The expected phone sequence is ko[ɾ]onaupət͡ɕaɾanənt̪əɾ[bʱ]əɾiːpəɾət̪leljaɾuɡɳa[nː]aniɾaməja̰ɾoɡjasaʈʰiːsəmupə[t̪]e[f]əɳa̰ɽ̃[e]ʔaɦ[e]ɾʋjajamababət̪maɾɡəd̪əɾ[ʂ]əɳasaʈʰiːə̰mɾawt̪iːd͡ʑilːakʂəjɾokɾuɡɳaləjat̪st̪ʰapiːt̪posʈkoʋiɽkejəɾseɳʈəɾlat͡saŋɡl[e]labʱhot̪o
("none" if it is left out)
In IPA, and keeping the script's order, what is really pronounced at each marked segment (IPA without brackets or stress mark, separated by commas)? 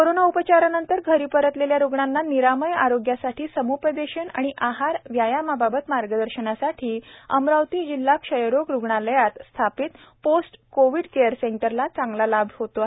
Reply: ɾ, ɡʱ, nː, d̪, ɕ, i, a, ɕ, a